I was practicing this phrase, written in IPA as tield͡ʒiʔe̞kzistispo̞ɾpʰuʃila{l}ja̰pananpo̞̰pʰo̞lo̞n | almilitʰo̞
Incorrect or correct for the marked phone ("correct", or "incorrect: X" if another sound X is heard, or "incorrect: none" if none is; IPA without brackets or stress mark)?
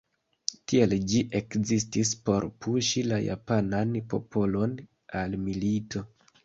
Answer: incorrect: none